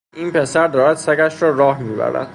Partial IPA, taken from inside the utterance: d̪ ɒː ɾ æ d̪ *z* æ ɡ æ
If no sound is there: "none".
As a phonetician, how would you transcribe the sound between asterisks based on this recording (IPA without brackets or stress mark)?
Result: s